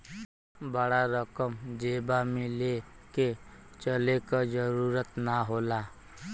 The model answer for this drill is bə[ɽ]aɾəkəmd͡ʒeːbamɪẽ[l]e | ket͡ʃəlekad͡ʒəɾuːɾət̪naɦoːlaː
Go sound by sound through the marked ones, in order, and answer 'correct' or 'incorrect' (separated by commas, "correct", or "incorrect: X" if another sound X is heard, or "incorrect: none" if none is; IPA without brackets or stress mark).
correct, correct